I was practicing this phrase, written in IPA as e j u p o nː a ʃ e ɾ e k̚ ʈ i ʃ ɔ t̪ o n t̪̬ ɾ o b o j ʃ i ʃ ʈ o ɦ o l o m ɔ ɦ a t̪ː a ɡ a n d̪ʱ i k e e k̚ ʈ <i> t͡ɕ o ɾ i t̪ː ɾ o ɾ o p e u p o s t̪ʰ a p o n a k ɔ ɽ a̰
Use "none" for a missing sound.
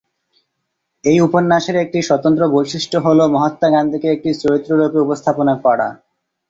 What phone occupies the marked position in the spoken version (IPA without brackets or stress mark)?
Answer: i